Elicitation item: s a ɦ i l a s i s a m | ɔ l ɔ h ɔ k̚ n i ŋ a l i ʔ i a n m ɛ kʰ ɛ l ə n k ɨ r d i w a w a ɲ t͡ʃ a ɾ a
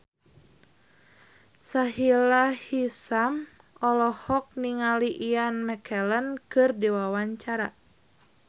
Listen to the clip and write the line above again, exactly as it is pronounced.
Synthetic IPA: s a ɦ i l a h i s a m | ɔ l ɔ h ɔ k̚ n i ŋ a l i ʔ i a n m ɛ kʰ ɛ l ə n k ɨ r d i w a w a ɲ t͡ʃ a ɾ a